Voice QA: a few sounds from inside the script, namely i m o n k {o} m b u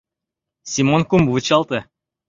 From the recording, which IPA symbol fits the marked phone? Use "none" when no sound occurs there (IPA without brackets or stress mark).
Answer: u